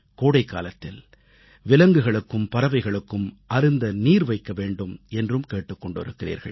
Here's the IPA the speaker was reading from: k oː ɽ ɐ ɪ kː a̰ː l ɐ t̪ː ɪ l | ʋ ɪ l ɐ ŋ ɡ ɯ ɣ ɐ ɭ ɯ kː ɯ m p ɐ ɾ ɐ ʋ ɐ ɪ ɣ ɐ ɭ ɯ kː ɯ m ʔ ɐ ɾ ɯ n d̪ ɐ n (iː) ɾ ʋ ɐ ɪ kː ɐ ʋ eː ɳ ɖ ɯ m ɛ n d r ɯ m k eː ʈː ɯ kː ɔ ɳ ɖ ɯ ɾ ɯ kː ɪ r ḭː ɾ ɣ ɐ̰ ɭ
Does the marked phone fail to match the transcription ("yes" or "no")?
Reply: no